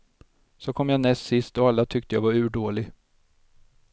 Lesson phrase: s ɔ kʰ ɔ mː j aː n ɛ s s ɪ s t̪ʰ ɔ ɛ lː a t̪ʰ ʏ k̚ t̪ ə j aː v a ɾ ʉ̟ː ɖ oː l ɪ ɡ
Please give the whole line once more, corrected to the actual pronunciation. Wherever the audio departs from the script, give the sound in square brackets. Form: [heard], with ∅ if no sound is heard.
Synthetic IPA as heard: s ɔ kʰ ɔ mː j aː n ɛ s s ɪ s [t̪] ɔ [a] lː a t̪ʰ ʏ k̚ t̪ ə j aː v a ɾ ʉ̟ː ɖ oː l ɪ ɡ